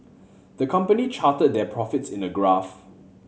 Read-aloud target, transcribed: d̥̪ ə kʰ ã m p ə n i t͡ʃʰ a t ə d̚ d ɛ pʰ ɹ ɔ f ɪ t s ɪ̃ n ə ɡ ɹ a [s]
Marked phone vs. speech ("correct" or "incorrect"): incorrect